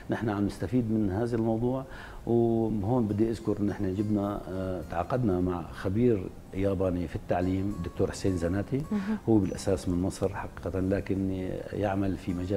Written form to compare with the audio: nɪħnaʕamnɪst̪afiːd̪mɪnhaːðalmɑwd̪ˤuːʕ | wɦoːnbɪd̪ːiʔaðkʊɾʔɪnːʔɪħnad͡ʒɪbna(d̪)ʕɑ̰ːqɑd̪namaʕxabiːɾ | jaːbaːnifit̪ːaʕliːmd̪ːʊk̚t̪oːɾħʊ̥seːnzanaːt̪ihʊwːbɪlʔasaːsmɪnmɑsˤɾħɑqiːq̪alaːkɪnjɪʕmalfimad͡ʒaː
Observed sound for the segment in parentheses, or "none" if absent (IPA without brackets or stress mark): t̪